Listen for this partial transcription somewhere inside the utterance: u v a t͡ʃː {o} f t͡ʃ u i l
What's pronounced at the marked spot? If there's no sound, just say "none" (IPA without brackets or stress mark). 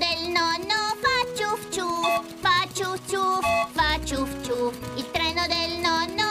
u